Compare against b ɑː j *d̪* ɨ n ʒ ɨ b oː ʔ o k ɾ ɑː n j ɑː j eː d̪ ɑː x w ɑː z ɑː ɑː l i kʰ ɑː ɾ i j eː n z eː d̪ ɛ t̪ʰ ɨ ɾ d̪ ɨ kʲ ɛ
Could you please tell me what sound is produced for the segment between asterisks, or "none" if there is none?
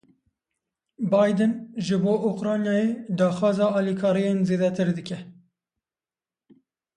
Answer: d̪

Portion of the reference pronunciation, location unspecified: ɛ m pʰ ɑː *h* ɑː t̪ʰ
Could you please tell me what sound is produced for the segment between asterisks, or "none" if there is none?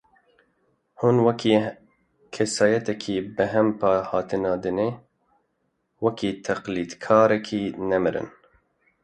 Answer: h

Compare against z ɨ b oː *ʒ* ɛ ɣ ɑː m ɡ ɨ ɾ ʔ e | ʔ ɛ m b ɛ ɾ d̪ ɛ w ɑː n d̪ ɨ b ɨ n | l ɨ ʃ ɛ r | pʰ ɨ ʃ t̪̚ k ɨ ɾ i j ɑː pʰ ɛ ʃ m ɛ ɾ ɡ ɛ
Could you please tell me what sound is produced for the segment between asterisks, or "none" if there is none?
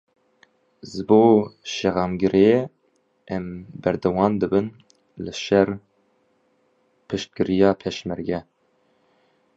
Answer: ʃ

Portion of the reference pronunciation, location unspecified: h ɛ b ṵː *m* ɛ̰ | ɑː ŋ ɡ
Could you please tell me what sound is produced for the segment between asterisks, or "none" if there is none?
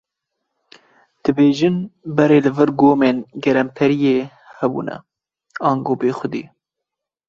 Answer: n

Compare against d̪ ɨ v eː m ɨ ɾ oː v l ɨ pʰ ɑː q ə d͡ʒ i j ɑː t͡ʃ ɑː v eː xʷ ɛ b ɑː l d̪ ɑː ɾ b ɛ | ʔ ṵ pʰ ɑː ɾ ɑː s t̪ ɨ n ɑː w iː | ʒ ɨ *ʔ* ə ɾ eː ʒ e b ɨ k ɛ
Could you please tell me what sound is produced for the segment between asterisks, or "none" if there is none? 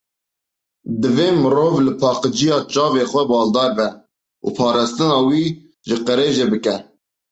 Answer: q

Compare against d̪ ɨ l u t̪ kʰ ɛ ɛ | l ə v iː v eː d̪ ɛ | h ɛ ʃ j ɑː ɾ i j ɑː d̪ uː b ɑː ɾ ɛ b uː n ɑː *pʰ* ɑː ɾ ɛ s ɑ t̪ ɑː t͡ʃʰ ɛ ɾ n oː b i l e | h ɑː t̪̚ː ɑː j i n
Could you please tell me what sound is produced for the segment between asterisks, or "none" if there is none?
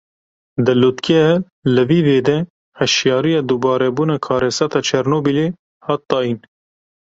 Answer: kʰ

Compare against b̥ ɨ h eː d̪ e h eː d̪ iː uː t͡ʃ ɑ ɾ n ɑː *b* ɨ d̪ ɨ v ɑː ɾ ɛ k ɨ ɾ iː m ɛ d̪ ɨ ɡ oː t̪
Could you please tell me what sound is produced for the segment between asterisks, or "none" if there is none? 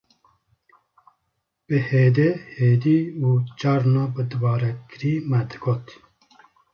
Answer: b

